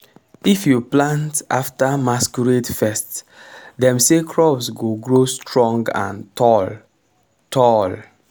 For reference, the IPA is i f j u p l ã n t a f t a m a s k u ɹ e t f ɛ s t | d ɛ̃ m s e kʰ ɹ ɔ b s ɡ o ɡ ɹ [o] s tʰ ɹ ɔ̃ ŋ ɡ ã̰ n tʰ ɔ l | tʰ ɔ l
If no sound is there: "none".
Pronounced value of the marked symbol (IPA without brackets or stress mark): o